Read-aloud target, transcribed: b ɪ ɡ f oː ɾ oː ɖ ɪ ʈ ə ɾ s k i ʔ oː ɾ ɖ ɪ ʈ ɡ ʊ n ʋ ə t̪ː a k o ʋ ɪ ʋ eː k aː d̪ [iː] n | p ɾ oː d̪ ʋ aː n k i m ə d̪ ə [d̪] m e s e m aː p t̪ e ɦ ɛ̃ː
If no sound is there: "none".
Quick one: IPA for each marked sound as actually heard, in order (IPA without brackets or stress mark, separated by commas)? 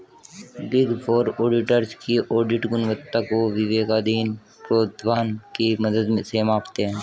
iː, d̪